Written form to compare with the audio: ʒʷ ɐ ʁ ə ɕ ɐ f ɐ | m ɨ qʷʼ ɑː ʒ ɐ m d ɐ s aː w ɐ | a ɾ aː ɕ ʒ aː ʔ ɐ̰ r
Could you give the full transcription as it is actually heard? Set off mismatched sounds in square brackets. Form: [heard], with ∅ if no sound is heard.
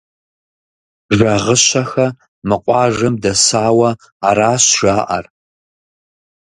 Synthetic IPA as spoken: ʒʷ ɐ ʁ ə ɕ ɐ [x] ɐ | m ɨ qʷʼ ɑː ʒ ɐ m d ɐ s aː w ɐ | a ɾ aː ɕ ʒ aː ʔ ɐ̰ r